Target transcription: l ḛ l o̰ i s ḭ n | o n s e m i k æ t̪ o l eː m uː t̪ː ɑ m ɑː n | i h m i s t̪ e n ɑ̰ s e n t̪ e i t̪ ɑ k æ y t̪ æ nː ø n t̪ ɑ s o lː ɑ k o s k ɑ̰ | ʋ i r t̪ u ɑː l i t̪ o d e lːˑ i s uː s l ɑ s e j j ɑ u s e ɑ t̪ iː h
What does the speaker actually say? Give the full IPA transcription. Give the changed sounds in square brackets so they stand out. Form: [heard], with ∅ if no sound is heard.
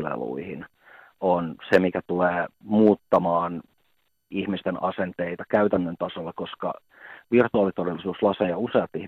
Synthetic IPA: l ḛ l [ṵ] i [h] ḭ n | o n s e m i k æ t̪ [u] l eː m uː t̪ː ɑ m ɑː n | i h m i s t̪ e n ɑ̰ s e n t̪ e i t̪ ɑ k æ y t̪ æ nː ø n t̪ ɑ s o lː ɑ k o s k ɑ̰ | ʋ i r t̪ u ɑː l i t̪ o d e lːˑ i s uː s l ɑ s e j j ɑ u s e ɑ t̪ [i] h